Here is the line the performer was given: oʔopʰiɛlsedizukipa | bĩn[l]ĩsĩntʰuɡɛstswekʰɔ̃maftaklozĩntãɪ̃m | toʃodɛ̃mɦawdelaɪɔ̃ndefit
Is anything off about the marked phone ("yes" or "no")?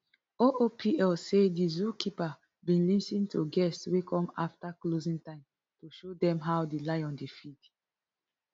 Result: no